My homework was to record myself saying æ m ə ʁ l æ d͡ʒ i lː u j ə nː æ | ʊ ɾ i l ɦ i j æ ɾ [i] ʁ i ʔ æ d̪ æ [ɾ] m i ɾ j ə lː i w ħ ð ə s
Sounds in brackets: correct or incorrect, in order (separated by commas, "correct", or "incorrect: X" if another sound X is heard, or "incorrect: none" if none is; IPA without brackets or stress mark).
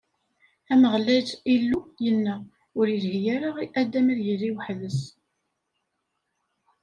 incorrect: a, incorrect: none